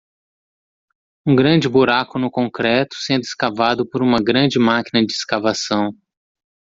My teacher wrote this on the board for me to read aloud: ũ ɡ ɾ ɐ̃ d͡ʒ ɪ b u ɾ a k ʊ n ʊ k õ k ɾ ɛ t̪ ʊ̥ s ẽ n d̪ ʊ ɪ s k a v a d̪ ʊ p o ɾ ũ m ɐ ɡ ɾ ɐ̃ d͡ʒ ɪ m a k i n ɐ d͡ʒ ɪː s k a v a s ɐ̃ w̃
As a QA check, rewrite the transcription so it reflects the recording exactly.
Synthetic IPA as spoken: ũ ɡ ɾ ɐ̃ d͡ʒ ɪ b u ɾ a k ʊ n ʊ k õ k ɾ ɛ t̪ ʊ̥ s ẽ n d̪ ʊ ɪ s k a v a d̪ ʊ p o ɾ ũ m ɐ ɡ ɾ ɐ̃ d͡ʒ ɪ m a k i n ɐ d͡ʒ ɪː s k a v a s ɐ̃ w̃